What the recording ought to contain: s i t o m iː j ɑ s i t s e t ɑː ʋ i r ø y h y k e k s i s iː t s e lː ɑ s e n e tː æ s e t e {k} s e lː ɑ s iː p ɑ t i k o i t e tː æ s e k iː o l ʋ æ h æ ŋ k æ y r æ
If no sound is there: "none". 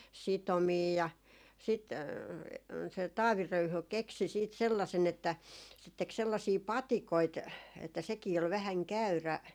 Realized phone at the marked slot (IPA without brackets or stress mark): k